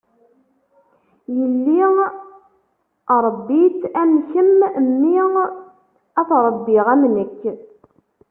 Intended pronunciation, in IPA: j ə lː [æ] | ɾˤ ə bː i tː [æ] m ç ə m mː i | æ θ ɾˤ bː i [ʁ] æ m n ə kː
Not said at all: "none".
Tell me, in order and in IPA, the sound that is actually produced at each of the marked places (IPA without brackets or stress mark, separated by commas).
i, æ, ʁ